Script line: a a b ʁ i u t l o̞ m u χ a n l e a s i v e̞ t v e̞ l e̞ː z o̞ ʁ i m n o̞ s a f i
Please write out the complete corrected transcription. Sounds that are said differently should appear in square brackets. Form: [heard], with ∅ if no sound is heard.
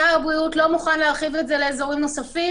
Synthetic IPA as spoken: a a b ʁ i u t l o̞ m u χ a n l e a [χ] i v e̞ t [z] e̞ l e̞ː z o̞ ʁ i m n o̞ s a f i